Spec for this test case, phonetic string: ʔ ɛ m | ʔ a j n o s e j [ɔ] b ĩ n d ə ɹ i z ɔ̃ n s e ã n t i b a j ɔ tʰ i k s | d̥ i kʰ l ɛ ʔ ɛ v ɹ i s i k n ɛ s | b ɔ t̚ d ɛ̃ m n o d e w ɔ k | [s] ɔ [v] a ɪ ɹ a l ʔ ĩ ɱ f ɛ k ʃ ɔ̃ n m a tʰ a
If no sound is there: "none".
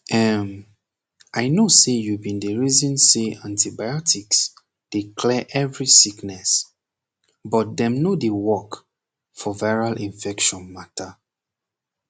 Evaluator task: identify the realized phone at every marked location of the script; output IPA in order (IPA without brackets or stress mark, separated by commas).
u, f, v